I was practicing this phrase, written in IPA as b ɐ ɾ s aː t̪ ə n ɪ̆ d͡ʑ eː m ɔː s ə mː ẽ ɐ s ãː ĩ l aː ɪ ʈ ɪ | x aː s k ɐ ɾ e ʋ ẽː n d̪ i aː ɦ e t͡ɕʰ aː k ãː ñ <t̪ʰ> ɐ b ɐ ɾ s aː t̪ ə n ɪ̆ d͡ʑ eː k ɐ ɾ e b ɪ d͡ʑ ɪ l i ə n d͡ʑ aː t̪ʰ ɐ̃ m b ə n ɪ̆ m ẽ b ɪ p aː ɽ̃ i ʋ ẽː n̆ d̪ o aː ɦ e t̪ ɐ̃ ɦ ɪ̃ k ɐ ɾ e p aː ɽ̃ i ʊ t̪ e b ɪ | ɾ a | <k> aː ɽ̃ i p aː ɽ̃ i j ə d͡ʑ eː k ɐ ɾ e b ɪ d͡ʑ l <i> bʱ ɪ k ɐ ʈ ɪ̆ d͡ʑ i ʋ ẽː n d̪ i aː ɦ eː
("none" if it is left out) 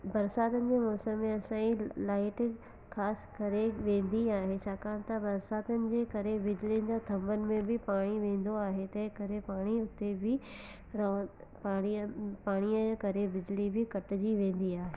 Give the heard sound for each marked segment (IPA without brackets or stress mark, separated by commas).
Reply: t̪, p, i